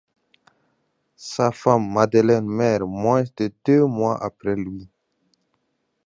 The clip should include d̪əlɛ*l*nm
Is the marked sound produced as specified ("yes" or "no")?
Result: no